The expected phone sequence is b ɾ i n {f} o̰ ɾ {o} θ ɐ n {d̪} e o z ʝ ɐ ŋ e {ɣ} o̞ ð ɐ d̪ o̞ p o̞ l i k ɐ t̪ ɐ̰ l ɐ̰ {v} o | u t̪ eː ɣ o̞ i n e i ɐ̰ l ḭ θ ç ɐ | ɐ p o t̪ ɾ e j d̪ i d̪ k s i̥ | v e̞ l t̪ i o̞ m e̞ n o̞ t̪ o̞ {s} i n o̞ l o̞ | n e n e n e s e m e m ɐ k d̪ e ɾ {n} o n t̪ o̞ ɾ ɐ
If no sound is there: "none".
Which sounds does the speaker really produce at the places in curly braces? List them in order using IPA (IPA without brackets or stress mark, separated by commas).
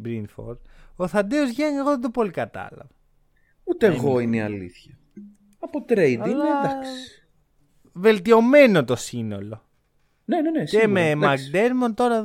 f, o, d̪, ɣ, v, s, m